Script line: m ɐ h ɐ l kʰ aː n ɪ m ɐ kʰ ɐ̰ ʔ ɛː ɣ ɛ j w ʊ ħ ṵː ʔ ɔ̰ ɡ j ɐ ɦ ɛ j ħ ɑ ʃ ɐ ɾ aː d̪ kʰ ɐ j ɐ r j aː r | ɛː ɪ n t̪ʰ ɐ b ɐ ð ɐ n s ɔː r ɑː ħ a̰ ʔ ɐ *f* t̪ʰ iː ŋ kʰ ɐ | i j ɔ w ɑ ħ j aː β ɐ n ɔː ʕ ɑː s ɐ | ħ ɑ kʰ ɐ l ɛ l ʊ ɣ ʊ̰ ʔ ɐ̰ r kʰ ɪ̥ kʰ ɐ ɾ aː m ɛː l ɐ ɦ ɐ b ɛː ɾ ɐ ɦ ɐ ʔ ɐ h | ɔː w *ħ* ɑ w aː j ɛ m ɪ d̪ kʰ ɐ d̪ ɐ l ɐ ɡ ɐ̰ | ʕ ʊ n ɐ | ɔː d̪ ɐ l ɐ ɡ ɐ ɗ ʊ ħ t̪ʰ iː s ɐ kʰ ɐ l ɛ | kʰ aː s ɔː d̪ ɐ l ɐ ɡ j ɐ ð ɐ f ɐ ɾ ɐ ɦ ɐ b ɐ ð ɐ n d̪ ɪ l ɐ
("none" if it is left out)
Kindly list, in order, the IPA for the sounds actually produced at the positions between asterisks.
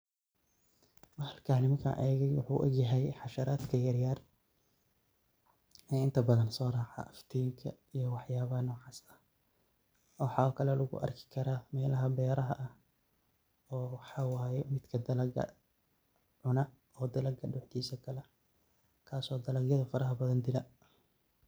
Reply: f, ħ

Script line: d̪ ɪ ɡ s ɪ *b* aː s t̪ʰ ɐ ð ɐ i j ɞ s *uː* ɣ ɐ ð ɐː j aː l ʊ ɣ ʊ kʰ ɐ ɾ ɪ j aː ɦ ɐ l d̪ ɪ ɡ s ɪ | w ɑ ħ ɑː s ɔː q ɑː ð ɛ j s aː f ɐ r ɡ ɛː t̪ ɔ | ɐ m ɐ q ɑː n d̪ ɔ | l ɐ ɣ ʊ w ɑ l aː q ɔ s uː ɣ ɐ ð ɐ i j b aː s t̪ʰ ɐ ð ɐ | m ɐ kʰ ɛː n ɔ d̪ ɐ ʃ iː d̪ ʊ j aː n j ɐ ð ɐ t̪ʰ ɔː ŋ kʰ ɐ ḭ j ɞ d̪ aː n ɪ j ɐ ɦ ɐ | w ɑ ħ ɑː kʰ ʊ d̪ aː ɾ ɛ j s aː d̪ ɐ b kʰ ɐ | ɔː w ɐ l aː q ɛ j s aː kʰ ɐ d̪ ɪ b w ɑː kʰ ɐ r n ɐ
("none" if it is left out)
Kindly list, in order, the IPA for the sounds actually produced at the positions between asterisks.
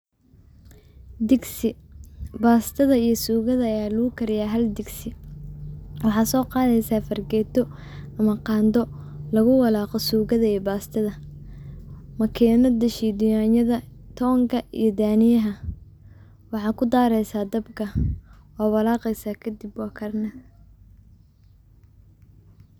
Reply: b, uː

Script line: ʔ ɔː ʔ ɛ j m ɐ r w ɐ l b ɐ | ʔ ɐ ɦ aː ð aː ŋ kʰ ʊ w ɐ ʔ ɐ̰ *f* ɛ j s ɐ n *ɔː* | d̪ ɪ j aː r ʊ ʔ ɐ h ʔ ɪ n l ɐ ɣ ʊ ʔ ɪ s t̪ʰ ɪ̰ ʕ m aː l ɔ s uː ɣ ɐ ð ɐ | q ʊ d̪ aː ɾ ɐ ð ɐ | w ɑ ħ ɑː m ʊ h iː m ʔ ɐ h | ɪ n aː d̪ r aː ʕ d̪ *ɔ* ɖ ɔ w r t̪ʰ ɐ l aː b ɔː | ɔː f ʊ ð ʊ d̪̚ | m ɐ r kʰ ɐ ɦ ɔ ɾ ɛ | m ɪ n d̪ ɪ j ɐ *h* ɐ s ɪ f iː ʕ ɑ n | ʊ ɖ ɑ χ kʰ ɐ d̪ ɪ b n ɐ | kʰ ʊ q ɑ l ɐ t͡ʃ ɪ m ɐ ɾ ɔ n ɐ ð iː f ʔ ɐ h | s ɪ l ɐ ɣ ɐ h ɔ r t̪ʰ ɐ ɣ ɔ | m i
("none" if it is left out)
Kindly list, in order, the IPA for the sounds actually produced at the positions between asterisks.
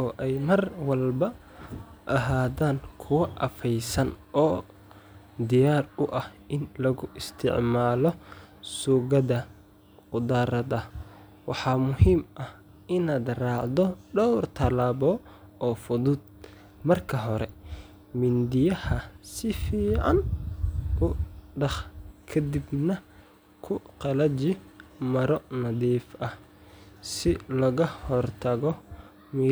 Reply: f, ɔː, ɔ, h

